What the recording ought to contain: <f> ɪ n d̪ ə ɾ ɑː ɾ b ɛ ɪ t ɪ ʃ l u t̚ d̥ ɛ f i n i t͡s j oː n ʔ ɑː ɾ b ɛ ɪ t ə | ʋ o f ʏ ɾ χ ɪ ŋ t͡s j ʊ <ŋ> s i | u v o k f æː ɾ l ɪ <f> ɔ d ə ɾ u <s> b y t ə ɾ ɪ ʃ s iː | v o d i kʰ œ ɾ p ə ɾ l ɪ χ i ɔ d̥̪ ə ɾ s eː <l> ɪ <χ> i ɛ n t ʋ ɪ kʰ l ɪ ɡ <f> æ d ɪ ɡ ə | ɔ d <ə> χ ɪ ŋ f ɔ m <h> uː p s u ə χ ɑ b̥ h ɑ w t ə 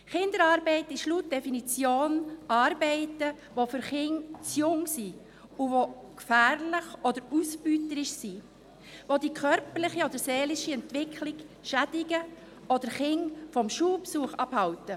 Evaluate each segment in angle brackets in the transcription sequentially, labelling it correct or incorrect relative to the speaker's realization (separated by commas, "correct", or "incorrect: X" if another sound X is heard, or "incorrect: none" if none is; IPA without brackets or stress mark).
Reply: incorrect: χ, correct, incorrect: χ, correct, correct, incorrect: ʃ, incorrect: ʃ, correct, incorrect: ʃ